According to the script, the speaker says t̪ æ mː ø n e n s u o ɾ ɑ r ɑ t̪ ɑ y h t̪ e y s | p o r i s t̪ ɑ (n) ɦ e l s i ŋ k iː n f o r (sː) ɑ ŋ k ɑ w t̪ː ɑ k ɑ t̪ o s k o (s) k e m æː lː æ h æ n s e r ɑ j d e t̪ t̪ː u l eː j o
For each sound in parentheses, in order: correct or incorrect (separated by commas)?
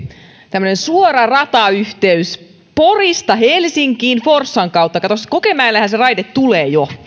incorrect, correct, incorrect